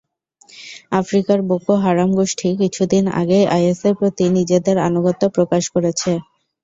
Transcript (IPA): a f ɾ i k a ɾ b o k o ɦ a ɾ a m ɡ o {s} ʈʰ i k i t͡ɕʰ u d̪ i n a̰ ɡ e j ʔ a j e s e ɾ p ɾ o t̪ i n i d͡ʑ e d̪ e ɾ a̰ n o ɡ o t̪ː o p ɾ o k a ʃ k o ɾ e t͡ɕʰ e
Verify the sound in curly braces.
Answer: incorrect: ʃ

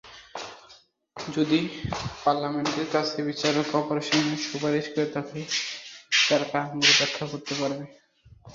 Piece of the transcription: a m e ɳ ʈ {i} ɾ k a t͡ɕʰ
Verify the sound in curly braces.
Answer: incorrect: e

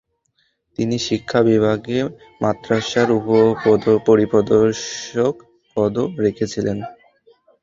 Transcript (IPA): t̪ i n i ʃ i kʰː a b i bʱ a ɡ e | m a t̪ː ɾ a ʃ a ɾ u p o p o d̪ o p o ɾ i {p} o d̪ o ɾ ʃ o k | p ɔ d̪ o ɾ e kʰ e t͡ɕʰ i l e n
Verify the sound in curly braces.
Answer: correct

